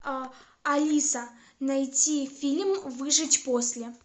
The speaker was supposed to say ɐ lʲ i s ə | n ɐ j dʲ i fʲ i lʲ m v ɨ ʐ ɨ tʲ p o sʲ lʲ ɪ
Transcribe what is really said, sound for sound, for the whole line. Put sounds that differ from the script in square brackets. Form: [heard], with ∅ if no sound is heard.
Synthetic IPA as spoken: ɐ lʲ i s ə | n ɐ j [tʲ] i fʲ i lʲ m v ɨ ʐ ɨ tʲ p o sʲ lʲ ɪ